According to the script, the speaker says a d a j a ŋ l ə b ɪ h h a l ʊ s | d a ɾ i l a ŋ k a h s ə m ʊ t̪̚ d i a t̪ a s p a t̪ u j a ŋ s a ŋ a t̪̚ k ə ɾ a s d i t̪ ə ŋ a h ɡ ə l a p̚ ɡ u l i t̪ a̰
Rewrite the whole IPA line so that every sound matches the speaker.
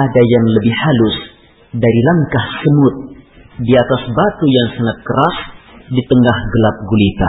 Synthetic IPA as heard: a d a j a ŋ l ə b ɪ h h a l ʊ s | d a ɾ i l a ŋ k a h s ə m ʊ t̪̚ d i a t̪ a s b a t̪ u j a ŋ s a ŋ a t̪̚ k ə ɾ a s d i t̪ ə ŋ a h ɡ ə l a p̚ ɡ u l i t̪ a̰